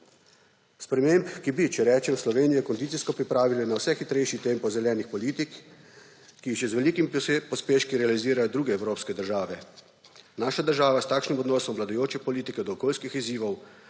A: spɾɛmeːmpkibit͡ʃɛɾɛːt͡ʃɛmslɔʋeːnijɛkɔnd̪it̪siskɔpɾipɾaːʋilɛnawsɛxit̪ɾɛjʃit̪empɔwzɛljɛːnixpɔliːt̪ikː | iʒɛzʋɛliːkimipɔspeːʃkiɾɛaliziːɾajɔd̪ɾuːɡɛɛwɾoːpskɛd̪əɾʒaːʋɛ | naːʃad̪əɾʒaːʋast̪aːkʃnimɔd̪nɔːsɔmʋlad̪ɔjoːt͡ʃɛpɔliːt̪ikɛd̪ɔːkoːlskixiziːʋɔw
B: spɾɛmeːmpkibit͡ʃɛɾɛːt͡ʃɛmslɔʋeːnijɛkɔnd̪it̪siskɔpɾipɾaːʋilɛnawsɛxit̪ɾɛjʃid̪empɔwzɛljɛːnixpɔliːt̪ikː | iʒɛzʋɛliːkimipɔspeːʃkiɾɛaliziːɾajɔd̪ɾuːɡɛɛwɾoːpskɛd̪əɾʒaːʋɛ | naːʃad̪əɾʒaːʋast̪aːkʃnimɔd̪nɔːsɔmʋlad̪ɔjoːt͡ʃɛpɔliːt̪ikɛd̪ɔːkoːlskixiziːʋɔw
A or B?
A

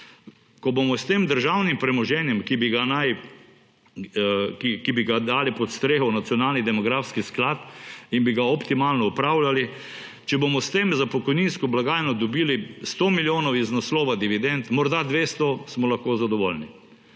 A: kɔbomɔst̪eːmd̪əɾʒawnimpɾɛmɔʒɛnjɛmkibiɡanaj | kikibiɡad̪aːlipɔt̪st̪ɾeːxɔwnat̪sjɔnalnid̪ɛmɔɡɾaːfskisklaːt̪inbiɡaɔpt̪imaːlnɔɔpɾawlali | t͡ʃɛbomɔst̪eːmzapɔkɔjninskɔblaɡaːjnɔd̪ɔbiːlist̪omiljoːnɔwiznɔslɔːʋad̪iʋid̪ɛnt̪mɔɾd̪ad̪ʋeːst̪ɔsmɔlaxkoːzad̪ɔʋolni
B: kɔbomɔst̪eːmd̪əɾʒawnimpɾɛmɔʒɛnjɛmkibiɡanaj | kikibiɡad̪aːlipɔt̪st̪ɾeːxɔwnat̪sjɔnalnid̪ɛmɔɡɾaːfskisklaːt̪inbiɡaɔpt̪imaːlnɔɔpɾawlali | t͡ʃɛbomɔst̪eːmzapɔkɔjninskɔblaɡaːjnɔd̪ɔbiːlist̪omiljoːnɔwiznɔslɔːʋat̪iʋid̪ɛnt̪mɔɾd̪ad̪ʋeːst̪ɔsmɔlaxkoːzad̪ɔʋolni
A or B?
A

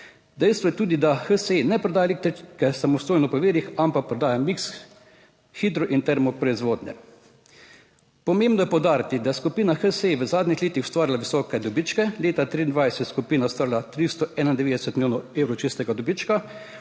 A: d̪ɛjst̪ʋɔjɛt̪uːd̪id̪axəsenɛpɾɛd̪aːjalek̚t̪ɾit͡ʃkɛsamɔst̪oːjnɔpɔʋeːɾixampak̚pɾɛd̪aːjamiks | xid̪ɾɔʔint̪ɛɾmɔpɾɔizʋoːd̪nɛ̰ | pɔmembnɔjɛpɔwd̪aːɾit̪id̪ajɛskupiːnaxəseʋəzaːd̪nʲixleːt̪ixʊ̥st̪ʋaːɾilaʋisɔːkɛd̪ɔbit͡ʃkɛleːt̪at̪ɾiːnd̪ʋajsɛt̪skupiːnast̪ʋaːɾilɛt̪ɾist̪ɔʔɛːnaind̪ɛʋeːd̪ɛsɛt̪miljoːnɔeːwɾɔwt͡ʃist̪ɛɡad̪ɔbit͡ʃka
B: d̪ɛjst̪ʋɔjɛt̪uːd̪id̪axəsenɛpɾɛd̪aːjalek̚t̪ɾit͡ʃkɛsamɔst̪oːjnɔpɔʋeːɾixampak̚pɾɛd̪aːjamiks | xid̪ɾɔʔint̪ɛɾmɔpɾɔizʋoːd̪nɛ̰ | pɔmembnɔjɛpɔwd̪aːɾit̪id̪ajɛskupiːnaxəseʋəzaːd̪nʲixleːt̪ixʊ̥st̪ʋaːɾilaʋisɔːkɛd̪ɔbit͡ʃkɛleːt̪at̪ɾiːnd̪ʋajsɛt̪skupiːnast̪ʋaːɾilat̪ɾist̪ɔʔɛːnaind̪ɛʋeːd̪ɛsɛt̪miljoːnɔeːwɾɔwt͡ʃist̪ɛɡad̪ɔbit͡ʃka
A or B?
B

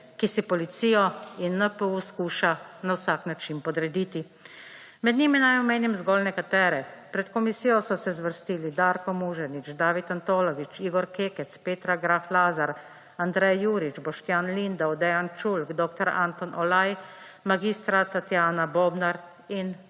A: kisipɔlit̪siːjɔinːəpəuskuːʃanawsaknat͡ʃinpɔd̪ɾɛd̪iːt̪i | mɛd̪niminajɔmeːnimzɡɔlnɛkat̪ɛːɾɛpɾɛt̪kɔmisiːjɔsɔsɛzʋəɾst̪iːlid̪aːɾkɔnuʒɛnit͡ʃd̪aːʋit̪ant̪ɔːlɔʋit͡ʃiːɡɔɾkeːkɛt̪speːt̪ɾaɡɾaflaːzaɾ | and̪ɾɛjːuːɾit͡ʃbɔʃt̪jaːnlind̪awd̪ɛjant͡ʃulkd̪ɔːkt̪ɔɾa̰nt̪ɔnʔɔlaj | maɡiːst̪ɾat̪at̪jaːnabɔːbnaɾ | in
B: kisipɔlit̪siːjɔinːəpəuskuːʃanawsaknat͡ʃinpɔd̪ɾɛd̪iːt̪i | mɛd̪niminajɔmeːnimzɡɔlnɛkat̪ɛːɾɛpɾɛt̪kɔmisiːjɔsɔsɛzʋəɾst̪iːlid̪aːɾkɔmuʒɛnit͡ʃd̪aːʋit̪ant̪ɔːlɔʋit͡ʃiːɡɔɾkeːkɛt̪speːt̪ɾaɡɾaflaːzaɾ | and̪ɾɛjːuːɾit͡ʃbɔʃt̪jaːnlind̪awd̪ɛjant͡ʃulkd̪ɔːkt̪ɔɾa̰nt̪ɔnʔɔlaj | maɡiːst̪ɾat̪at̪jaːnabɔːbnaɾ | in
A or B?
B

